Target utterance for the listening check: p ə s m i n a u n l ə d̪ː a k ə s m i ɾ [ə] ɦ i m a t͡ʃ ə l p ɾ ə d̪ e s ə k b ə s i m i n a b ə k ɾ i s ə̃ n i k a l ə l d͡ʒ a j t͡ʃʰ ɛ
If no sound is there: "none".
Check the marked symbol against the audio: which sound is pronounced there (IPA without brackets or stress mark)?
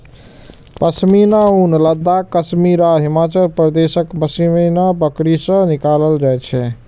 a